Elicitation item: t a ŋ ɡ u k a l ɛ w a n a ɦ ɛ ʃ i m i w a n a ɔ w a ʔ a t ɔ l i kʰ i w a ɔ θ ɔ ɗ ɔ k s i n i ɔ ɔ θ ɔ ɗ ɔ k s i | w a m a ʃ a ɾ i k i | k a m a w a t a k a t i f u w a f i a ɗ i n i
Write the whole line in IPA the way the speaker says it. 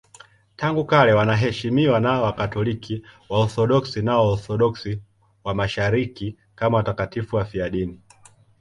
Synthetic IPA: t a ŋ ɡ u k a l ɛ w a n a ɦ ɛ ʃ i m i w a n a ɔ w a k a t ɔ l i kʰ i w a ɔ θ ɔ ɗ ɔ k s i n a ɔ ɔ θ ɔ ɗ ɔ k s i | w a m a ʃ a ɾ i k i | k a m a w a t a k a t i f u w a f i a ɗ i n i